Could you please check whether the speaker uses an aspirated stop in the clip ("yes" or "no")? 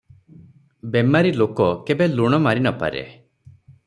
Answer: no